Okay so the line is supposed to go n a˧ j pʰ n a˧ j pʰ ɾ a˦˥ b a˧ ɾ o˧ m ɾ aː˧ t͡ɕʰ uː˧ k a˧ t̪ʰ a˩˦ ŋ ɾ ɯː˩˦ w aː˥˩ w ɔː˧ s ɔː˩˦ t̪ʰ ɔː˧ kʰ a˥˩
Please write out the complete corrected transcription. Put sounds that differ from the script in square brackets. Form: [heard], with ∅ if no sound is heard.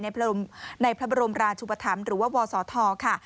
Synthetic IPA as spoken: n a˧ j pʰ n a˧ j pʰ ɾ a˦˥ b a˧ ɾ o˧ m ɾ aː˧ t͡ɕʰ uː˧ [p] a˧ t̪ʰ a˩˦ [m] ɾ ɯː˩˦ w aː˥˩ w ɔː˧ s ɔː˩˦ t̪ʰ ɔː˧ kʰ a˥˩